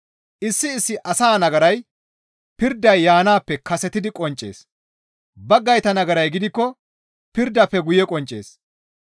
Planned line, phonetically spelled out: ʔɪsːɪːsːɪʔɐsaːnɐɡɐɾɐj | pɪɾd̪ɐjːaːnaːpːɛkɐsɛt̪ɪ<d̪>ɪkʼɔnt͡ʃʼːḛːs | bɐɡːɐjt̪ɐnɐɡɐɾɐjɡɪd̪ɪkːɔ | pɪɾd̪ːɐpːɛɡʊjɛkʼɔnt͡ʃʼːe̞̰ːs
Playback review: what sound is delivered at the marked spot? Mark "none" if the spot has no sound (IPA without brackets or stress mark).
d̪